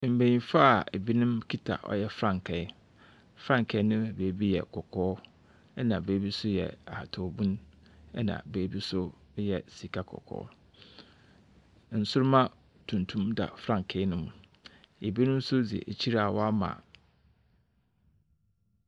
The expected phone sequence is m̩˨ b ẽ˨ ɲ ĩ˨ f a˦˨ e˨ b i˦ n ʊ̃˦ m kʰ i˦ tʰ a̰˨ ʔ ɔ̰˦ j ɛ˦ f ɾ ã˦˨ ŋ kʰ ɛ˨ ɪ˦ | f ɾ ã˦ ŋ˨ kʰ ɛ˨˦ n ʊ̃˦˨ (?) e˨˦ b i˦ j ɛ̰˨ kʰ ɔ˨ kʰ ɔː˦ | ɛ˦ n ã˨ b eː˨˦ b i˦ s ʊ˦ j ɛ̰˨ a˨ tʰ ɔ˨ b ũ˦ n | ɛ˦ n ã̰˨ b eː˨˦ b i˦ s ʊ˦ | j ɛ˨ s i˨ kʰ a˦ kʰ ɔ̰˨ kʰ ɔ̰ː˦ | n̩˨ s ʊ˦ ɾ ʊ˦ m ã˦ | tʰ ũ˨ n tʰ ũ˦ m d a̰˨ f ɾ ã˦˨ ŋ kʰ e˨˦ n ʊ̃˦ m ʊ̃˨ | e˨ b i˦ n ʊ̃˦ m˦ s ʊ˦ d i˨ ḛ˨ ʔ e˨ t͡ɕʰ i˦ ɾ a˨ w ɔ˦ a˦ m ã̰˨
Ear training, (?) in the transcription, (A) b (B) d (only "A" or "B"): A